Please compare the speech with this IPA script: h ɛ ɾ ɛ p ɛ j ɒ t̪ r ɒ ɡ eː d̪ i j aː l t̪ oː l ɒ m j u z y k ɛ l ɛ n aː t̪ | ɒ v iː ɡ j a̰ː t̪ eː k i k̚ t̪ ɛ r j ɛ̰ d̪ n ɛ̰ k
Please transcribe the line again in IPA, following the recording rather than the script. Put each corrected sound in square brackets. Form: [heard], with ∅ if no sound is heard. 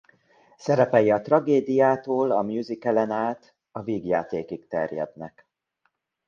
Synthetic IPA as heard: [s] ɛ ɾ ɛ p ɛ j ɒ t̪ r ɒ ɡ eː d̪ i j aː [∅] t̪ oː l ɒ m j u z [i] k ɛ l ɛ n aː t̪ | ɒ v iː ɡ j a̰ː t̪ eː k i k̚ t̪ ɛ r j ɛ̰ d̪ n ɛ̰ k